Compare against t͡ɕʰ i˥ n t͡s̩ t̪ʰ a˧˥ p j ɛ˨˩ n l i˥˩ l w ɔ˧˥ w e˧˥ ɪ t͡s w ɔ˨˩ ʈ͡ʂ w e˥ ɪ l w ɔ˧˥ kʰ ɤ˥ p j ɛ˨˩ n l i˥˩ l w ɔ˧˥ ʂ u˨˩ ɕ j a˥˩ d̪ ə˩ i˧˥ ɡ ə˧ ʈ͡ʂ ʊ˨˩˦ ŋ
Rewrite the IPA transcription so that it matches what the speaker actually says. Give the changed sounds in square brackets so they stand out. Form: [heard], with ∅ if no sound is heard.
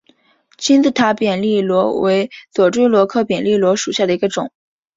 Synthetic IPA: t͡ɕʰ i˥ n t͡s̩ t̪ʰ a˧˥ p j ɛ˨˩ n l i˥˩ l w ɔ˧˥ w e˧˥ ɪ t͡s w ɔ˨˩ ʈ͡ʂ w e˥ ɪ l w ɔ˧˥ kʰ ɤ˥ p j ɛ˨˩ n l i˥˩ l w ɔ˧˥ ʂ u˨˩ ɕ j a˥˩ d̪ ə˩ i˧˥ ɡ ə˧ ʈ͡ʂ ʊ˨˩˦ ŋ